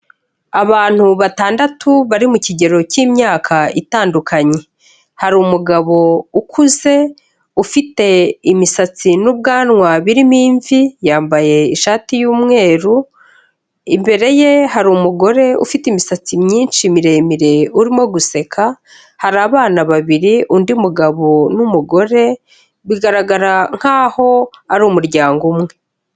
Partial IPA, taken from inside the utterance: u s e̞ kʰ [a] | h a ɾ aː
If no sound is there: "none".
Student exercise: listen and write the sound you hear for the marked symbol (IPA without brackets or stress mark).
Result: a